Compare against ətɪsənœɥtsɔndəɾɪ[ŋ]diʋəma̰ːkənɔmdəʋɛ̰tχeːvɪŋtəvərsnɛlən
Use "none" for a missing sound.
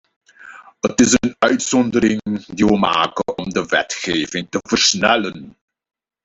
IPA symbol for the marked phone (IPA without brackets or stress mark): ŋ